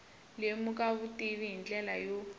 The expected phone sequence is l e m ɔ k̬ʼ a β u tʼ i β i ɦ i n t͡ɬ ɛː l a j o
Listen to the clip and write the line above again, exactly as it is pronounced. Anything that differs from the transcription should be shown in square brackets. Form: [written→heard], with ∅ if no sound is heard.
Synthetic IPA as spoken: l e m [ɔ→u] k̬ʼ a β u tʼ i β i ɦ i n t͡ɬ [ɛː→ɛ] l a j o